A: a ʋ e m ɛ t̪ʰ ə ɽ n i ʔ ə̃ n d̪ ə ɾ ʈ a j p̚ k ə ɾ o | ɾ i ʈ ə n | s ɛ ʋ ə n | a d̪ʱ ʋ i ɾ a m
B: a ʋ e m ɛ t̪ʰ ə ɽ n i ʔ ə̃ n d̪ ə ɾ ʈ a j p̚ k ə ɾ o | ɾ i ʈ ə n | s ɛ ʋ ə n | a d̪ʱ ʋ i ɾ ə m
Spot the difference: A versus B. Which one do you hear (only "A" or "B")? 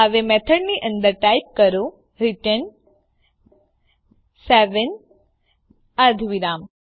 A